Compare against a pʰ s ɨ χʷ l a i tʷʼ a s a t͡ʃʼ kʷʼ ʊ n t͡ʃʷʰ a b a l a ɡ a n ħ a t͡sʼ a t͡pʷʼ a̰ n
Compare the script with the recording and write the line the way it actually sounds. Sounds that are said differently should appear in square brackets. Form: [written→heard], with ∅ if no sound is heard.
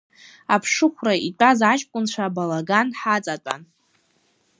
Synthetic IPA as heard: a pʰ [s→ʂ] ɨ χʷ [l→r] a i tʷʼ a [s→z] a t͡ʃʼ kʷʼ ʊ n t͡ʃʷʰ a b a l a ɡ a n ħ a t͡sʼ a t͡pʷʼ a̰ n